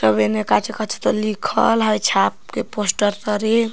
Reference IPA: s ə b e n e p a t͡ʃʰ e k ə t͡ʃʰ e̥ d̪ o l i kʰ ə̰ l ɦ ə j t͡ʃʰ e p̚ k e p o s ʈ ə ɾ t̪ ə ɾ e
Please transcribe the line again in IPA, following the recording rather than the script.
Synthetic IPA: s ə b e n e k a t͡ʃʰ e k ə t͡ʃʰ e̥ t̪ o l i kʰ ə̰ l ɦ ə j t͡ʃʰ a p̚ k e p o s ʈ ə ɾ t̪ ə ɾ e